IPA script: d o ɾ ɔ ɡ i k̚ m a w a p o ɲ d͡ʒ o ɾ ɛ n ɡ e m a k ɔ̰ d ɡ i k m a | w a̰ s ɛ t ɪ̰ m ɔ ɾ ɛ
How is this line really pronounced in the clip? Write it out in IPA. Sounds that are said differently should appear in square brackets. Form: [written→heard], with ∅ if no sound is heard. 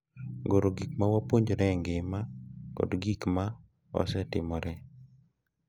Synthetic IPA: [d→ɡ] o ɾ [ɔ→o] ɡ i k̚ m a w a p o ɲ d͡ʒ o ɾ ɛ [n→ŋ] ɡ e m a k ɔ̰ d ɡ i k m a | w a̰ s ɛ t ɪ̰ m ɔ ɾ ɛ

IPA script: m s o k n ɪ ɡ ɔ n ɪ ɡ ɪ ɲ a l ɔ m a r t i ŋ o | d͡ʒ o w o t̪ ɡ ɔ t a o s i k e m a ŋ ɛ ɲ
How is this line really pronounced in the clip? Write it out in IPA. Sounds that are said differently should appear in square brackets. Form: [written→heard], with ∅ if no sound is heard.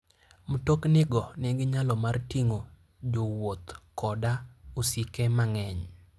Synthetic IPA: m [s→t] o k n ɪ ɡ ɔ n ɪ ɡ ɪ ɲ a l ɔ m a r t i ŋ o | d͡ʒ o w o t̪ [ɡ→k] ɔ [t→d] a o s i k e m a ŋ ɛ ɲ

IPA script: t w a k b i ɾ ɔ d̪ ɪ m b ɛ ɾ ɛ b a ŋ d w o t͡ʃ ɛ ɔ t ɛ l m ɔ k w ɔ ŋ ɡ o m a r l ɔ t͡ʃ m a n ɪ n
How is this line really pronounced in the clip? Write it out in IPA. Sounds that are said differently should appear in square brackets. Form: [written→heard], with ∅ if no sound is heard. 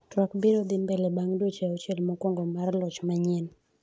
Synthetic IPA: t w a k b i ɾ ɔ d̪ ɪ m b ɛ [ɾ→l] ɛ b a ŋ d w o t͡ʃ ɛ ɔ [t→t͡ʃ] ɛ l m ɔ k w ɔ ŋ ɡ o m a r l ɔ t͡ʃ m a [n→ɲ] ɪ n

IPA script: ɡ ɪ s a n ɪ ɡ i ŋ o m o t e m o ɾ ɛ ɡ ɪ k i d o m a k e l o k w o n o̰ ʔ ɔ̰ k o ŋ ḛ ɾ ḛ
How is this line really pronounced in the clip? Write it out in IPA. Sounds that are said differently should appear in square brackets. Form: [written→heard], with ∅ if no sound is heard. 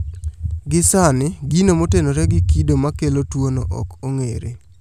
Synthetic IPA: ɡ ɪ s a n ɪ ɡ i [ŋ→n] o m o t e [m→n] o ɾ ɛ ɡ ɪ k i d o m a k e l o [k→t] w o n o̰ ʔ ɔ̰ k o ŋ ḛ ɾ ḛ

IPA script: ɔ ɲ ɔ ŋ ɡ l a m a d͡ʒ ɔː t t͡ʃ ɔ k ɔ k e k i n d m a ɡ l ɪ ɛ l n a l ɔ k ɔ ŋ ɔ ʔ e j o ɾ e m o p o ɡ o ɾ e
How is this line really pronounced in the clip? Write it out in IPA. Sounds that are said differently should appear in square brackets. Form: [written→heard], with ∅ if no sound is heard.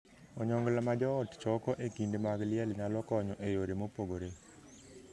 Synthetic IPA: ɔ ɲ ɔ ŋ ɡ l a m a d͡ʒ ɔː t t͡ʃ ɔ k ɔ [k→ʔ] e k i n d m a ɡ l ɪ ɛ l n a l ɔ k ɔ [ŋ→ɲ] ɔ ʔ e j o ɾ e m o p o ɡ o ɾ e

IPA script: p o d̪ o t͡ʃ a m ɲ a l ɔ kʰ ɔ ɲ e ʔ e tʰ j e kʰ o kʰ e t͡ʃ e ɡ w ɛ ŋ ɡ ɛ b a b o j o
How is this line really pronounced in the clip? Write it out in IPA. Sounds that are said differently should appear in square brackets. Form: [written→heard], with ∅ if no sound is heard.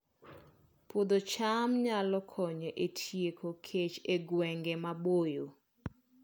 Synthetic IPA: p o d̪ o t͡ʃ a m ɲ a l ɔ kʰ ɔ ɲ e ʔ e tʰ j e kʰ o kʰ e t͡ʃ e ɡ w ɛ ŋ ɡ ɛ [b→m] a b o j o

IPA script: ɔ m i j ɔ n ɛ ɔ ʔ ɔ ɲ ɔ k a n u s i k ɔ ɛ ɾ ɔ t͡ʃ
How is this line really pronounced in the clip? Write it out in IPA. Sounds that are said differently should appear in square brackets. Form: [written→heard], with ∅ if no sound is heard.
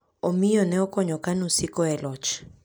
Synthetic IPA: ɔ m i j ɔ n ɛ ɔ [ʔ→k] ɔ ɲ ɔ k a n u s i k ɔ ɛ [ɾ→l] ɔ t͡ʃ

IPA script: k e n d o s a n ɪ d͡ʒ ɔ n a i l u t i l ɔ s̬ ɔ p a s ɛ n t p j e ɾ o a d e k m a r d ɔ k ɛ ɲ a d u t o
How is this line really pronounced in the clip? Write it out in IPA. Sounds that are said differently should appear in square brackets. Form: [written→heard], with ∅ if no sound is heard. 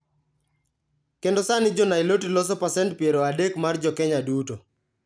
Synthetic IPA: k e n d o s a n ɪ d͡ʒ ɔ n a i l [u→o] t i l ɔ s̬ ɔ p a s ɛ n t p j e ɾ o a d e k m a r [d→d͡ʒ] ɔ k ɛ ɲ a d u t o

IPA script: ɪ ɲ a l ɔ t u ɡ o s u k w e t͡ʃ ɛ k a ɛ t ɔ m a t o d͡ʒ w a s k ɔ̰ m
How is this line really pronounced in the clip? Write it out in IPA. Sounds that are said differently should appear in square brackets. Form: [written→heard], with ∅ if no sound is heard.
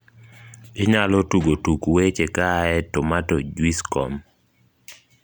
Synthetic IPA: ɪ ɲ a l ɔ t u ɡ o [s→t] u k w e t͡ʃ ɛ k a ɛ t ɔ m a t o d͡ʒ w [a→i] s k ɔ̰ m

